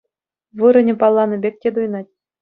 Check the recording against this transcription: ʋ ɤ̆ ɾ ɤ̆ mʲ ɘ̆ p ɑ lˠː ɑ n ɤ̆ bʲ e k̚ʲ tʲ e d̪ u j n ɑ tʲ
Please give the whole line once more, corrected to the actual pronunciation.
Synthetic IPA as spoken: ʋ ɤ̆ ɾ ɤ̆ nʲ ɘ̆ p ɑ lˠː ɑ n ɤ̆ bʲ e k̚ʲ tʲ e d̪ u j n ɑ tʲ

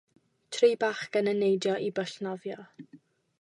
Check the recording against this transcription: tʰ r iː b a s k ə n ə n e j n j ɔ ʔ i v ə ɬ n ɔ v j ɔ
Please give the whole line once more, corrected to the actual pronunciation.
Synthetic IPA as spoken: tʰ r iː b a χ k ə n ə n e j d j ɔ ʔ i b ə ɬ n ɔ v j ɔ

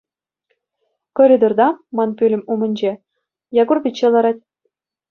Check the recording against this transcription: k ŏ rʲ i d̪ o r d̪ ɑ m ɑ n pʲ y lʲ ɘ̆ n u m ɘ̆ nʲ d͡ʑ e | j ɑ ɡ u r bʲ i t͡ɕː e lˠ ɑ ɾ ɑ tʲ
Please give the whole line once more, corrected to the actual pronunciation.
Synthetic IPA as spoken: k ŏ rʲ i d̪ o r d̪ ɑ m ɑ n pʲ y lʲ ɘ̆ m u m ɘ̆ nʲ d͡ʑ e | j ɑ ɡ u r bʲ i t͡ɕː e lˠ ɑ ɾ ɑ tʲ

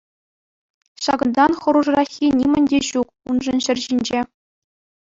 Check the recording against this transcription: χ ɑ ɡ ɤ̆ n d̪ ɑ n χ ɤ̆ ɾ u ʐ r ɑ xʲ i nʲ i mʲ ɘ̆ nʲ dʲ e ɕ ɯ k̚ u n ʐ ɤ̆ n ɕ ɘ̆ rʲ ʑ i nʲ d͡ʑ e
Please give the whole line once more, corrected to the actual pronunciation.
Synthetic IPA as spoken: ɕ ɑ ɡ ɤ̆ n d̪ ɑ n χ ɤ̆ ɾ u ʐ r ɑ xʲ i nʲ i mʲ ɘ̆ nʲ dʲ e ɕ u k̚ u n ʐ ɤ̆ n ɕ ɘ̆ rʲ ʑ i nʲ d͡ʑ e

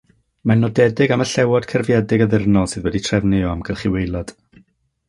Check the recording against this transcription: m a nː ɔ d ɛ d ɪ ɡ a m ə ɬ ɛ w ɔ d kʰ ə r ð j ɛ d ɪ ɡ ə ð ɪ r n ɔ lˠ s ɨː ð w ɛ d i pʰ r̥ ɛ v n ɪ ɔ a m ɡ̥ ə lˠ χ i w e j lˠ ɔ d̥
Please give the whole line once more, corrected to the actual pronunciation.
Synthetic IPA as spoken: m a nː ɔ d ɛ d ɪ ɡ a m ə ɬ ɛ w ɔ d kʰ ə r v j ɛ d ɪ ɡ ə ð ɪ r n ɔ lˠ s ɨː ð w ɛ d i tʰ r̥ ɛ v n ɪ ɔ a m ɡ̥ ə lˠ χ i w e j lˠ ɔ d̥

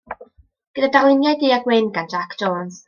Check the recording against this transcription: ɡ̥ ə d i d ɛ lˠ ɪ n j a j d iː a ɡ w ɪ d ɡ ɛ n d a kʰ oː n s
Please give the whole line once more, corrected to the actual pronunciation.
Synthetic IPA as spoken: ɡ̥ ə d a d a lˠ ɪ n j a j d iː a ɡ w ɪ n ɡ a n d͡ʒ a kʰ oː n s

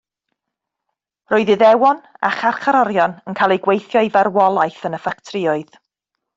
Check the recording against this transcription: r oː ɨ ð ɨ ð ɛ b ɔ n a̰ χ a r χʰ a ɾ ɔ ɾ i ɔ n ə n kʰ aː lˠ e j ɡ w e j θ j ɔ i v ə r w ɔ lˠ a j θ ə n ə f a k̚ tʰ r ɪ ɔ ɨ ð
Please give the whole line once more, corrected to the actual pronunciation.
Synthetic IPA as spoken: r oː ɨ ð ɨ ð ɛ w ɔ n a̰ χ a r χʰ a ɾ ɔ ɾ j ɔ n ə n kʰ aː lˠ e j ɡ w e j θ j ɔ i v a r w ɔ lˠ a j θ ə n ə f a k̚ tʰ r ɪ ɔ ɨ ð

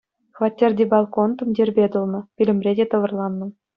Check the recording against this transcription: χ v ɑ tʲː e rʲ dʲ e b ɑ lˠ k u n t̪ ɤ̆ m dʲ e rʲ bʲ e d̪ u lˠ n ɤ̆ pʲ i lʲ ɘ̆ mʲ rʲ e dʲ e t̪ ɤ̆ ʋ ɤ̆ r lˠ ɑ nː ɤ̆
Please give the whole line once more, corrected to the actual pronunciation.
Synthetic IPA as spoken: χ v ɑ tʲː e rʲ dʲ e b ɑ lˠ k o n t̪ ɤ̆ m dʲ e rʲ bʲ e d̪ u lˠ n ɤ̆ pʲ i lʲ ɘ̆ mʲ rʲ e dʲ e t̪ ɤ̆ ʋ ɤ̆ r lˠ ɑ nː ɤ̆

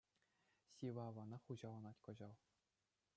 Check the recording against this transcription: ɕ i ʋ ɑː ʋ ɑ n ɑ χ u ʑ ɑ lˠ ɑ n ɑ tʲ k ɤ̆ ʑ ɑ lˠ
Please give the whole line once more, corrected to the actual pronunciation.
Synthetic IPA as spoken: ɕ i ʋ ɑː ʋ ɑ n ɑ χ u ʑ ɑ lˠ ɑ n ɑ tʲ k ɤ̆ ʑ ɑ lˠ

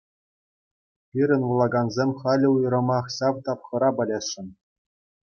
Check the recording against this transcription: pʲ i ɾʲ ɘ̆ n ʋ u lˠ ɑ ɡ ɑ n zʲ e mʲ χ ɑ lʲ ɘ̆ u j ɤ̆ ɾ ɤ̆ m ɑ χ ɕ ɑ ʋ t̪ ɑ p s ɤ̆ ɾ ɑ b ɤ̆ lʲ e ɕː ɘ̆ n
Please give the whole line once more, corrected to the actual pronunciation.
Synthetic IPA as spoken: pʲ i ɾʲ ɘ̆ n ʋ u lˠ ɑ ɡ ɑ n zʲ e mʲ χ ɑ lʲ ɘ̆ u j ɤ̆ ɾ ɤ̆ m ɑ χ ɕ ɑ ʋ t̪ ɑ p χ ɤ̆ ɾ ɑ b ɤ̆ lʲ e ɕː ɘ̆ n

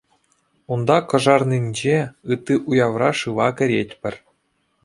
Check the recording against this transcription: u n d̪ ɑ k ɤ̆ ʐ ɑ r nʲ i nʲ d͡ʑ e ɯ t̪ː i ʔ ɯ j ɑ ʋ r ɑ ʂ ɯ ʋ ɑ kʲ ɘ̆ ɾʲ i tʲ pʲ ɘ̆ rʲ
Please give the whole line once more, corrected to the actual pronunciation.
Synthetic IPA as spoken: u n d̪ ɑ k ɤ̆ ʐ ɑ r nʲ i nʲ d͡ʑ e ɯ t̪ː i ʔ u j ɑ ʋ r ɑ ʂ ɯ ʋ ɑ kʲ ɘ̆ ɾʲ e tʲ pʲ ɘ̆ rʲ

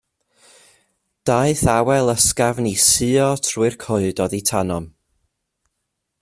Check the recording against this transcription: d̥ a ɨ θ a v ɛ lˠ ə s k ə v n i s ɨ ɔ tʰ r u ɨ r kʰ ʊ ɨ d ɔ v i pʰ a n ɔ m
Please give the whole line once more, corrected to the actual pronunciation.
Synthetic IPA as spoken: d̥ a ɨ θ a w ɛ lˠ ə s k a v n i s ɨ ɔ tʰ r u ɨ r kʰ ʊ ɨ d ɔ ð i tʰ a n ɔ m

